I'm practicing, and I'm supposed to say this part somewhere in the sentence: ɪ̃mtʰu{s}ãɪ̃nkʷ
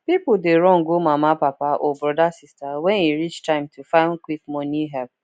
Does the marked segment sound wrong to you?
yes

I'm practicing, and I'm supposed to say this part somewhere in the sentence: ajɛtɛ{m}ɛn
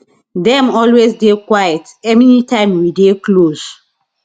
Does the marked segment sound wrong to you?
no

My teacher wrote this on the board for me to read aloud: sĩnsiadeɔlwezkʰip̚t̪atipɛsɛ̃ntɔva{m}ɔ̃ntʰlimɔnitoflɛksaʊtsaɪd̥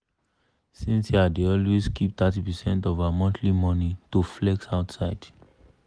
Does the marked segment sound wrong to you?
no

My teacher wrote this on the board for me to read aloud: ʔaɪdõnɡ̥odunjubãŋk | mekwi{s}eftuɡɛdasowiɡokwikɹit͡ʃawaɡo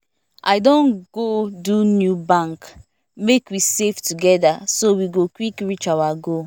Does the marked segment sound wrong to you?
no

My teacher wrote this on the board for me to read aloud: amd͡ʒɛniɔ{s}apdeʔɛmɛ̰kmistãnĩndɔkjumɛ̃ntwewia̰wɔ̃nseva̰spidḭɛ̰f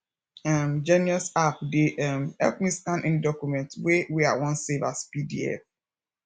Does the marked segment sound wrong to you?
no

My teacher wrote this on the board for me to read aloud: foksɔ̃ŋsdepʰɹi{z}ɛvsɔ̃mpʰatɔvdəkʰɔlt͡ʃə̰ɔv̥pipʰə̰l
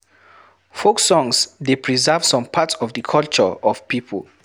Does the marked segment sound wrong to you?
no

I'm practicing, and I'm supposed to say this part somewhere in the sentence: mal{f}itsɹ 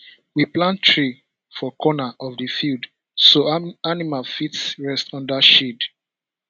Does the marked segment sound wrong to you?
no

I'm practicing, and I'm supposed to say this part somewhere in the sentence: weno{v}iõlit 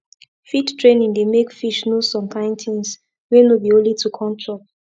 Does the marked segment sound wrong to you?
yes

